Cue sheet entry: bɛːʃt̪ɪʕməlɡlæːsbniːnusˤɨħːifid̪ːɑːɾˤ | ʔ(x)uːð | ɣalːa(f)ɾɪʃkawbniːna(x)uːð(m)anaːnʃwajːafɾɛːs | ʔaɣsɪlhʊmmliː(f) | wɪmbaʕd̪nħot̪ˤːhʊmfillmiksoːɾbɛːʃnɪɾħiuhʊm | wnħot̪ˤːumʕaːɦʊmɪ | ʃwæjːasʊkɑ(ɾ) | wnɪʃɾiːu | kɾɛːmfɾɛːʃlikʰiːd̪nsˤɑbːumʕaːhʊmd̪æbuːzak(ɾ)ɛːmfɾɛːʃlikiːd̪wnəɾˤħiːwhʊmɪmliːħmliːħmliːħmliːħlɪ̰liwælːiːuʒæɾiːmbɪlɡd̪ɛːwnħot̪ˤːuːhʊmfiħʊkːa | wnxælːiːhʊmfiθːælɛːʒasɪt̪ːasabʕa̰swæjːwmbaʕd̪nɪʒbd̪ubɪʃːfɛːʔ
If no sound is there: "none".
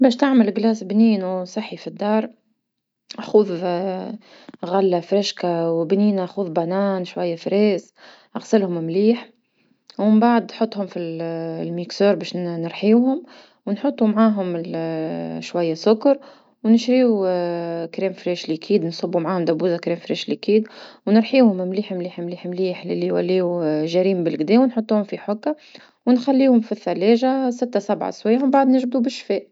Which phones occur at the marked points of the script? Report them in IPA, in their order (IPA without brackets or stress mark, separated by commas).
x, f, x, b, ħ, ɾ, ɾ